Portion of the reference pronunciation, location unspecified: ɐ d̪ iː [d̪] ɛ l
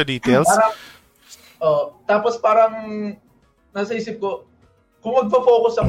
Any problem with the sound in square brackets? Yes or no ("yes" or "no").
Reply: yes